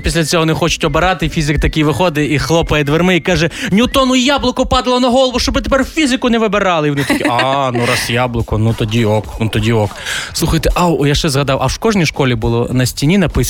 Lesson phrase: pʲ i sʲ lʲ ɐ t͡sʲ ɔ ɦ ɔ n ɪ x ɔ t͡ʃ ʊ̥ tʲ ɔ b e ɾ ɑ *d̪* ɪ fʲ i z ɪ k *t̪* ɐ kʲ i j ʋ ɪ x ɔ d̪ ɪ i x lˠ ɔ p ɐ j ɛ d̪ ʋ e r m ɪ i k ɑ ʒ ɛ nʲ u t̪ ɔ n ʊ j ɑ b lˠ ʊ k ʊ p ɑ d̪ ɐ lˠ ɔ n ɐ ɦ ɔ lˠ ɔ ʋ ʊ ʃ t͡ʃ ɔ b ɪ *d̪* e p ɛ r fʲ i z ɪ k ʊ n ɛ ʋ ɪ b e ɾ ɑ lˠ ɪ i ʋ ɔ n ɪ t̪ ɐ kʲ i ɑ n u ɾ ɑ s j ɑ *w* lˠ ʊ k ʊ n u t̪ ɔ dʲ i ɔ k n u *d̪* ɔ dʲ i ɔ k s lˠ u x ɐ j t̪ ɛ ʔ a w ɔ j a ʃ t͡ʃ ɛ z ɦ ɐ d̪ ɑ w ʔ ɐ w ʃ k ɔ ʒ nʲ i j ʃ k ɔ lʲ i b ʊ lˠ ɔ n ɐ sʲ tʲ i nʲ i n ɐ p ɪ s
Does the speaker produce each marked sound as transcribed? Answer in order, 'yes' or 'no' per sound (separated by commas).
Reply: no, yes, no, no, no